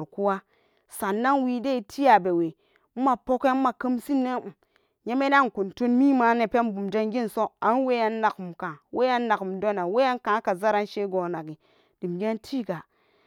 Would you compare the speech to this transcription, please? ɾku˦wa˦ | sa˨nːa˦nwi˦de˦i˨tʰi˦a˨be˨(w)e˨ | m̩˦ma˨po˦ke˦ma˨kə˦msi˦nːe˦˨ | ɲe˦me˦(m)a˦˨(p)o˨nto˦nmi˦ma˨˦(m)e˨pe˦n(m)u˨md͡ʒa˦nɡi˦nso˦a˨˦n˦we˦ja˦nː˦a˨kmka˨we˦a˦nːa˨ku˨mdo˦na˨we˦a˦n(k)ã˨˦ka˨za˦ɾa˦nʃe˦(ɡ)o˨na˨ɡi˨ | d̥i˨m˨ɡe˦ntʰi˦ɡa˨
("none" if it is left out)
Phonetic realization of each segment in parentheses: w, n, k, n, b, k, ɡ

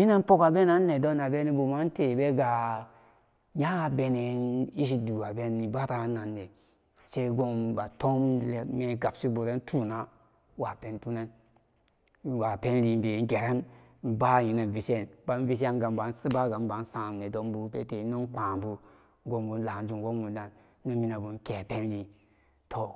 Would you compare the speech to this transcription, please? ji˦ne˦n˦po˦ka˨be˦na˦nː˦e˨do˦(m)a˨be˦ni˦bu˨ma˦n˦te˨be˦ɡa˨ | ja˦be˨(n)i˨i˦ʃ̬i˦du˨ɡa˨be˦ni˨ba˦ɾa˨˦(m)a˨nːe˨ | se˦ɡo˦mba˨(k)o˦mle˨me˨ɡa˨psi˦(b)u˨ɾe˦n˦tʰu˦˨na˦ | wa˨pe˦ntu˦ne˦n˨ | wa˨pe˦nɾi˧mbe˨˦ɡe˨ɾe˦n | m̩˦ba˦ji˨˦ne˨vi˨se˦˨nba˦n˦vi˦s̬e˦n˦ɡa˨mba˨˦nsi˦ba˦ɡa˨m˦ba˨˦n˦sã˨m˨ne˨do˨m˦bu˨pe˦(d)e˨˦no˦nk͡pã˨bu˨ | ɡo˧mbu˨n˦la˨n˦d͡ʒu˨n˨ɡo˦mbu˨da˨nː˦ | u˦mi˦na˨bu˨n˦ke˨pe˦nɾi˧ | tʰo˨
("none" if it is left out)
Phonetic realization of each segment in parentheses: n, n, n, t, b, t

